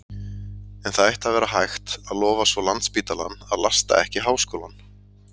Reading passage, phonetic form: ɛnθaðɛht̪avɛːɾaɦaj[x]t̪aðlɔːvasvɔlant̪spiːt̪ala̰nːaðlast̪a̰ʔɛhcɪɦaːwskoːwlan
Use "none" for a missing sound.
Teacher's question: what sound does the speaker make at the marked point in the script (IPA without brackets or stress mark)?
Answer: x